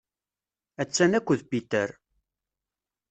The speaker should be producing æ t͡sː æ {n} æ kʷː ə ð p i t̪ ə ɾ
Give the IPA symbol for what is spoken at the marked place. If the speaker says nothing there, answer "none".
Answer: n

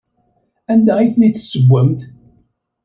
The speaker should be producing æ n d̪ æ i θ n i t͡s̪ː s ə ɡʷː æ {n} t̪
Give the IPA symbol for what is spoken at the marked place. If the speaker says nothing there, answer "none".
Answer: m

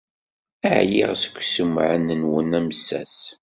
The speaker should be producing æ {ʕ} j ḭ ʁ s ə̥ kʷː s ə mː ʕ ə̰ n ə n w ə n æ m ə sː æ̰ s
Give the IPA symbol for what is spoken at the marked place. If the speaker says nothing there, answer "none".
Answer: ʕ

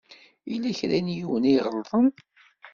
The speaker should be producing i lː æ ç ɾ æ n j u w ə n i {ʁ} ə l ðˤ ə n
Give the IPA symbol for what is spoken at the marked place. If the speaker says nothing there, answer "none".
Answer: ʁ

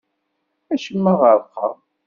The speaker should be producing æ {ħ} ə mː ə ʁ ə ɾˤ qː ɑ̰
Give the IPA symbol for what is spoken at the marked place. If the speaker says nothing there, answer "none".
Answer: ʃ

